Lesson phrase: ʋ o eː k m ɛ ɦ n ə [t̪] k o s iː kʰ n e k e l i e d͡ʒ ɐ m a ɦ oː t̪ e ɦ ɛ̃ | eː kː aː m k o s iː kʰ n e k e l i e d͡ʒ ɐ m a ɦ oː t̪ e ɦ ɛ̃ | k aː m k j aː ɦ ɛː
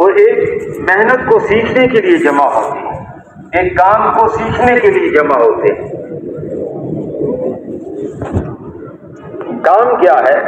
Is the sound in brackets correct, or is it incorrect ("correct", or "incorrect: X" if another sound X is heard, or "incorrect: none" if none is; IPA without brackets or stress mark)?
correct